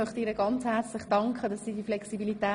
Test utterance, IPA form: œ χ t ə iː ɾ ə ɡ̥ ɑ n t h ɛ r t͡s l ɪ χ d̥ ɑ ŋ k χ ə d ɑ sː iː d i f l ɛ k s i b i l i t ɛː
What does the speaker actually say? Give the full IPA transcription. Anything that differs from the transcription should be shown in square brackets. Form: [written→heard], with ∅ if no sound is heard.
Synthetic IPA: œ χ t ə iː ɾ ə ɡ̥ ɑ n [t→t͡s] h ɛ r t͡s l ɪ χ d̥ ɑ ŋ k χ ə d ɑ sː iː d i f l ɛ k s i b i l i t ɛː